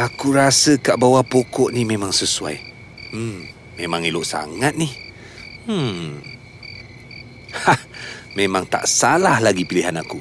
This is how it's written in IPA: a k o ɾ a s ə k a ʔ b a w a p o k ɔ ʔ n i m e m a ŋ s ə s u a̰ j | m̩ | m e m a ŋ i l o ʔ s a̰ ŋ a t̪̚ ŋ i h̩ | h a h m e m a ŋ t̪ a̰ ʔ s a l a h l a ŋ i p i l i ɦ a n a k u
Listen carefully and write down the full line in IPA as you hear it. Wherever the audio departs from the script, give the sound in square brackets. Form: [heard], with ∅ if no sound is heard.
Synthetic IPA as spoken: a k [u] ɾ a s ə k a ʔ b a w a p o k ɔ ʔ n i m e m a ŋ s ə s u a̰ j | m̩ | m e m a ŋ i l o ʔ s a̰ ŋ a t̪̚ [n] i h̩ | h a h m e m a ŋ t̪ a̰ ʔ s a l a h l a [ɡ] i p i l i ɦ a n a k u